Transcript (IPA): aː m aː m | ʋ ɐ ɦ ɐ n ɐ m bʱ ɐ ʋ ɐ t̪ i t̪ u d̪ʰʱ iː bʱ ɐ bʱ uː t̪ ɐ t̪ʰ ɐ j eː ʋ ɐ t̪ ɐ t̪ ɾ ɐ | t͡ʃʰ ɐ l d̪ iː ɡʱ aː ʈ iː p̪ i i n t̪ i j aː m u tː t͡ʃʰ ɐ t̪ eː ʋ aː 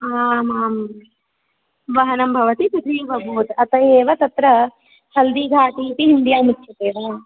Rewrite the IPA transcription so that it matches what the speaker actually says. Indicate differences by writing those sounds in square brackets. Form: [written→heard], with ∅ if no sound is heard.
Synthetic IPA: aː m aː m | ʋ ɐ ɦ ɐ n ɐ m bʱ ɐ ʋ ɐ t̪ i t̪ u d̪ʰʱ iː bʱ ɐ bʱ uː t̪ ɐ [t̪ʰ→t̪] ɐ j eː ʋ ɐ t̪ ɐ t̪ ɾ ɐ | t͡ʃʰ ɐ l d̪ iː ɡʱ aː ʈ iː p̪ i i n [t̪→d̪] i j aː m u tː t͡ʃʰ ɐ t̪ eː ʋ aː